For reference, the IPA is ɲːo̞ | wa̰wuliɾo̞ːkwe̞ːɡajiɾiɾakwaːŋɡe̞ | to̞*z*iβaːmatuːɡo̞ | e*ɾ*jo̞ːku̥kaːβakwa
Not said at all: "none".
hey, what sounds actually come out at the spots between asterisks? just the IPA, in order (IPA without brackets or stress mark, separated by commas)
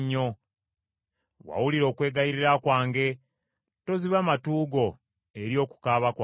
z, ɾ